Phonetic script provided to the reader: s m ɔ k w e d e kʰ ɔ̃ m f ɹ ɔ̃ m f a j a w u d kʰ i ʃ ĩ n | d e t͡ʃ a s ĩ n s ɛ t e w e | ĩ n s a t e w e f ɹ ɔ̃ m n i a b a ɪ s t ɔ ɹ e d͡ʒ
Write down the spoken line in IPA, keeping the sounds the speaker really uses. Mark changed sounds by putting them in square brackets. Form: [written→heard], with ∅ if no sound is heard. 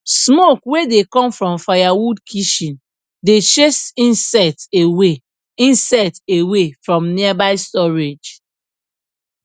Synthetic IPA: s m [ɔ→o] k w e d e [kʰ→k] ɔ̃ m f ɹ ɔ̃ m f a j a w u d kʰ i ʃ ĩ n | d e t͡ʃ [a→e] s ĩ n s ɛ t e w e | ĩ n s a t e w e f ɹ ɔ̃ m n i a b a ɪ s t ɔ ɹ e d͡ʒ